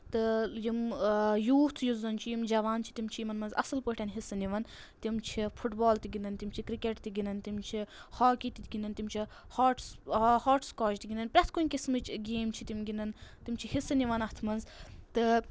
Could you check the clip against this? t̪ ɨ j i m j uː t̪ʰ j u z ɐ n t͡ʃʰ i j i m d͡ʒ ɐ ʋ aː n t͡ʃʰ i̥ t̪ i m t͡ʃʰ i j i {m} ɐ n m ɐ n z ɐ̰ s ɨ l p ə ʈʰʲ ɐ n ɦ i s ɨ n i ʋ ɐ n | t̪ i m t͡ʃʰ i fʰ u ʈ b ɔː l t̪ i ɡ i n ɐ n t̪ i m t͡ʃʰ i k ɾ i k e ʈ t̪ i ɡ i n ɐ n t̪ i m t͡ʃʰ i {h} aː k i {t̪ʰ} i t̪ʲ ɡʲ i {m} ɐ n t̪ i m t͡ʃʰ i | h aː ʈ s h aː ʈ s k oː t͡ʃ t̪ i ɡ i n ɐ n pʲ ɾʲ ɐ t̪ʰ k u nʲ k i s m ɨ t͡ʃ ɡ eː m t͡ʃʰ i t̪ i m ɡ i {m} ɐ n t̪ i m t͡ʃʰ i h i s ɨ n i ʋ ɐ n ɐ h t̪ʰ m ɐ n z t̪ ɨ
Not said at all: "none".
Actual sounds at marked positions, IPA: m, h, t̪, n, n

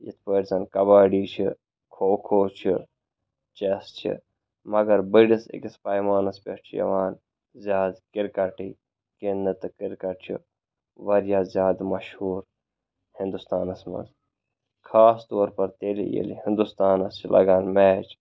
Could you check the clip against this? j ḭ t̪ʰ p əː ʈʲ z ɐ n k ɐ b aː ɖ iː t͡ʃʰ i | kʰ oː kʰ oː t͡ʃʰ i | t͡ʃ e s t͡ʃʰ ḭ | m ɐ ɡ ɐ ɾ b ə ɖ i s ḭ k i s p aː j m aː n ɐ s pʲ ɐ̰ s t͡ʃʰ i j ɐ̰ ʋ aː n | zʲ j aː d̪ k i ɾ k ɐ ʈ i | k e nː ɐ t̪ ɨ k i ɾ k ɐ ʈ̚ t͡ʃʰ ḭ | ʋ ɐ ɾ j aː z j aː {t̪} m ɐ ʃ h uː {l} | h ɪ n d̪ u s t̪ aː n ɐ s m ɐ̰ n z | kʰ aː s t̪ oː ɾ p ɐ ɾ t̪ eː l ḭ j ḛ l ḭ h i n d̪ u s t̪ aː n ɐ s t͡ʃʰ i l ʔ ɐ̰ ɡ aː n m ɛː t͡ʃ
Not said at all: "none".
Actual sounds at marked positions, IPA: d̪, ɾ

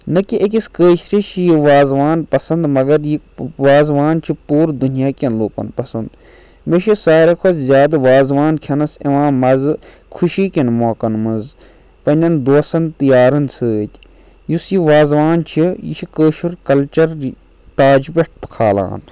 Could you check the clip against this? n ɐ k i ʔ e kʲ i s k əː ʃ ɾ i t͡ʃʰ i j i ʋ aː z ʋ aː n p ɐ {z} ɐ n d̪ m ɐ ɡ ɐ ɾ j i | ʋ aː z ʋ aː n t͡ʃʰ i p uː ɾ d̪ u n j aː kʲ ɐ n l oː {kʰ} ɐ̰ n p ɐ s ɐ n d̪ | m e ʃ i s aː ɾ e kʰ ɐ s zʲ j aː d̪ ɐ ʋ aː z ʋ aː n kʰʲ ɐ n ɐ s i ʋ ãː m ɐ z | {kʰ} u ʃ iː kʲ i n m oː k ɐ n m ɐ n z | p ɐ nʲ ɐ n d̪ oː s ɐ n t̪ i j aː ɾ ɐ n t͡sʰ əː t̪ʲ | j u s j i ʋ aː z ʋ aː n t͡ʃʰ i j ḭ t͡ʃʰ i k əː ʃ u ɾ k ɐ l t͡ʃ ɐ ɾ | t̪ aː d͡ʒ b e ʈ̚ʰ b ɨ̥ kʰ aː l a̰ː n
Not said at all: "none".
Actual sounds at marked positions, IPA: s, k, kʰ

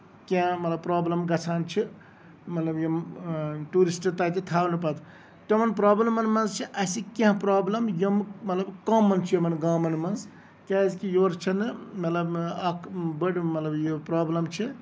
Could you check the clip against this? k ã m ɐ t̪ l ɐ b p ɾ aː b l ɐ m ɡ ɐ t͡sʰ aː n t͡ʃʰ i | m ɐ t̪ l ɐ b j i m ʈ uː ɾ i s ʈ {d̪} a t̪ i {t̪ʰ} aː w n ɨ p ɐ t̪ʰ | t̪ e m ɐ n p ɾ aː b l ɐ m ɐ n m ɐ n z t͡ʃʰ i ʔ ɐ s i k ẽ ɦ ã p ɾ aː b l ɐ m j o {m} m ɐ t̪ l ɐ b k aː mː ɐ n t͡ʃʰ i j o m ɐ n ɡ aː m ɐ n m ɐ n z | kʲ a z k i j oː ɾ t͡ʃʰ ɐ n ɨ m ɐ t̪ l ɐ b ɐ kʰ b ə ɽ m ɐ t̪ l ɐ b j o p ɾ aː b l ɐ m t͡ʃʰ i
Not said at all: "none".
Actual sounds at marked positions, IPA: t̪, t̪ʰ, m

